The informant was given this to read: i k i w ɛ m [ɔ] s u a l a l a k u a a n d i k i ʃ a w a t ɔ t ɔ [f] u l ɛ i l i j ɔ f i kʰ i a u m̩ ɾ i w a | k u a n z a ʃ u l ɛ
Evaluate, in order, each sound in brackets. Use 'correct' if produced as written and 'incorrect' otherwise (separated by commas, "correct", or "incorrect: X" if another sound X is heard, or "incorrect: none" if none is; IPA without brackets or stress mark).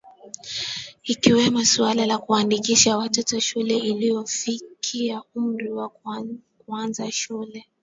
correct, incorrect: ʃ